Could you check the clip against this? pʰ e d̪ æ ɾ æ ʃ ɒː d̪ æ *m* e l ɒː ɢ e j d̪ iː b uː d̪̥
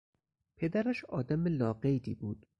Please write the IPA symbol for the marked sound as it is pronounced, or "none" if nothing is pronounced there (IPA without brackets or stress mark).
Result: m